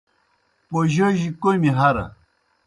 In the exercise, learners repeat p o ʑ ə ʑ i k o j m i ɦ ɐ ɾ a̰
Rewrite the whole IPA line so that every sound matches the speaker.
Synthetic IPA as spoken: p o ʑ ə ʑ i k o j m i ɦ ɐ ɾ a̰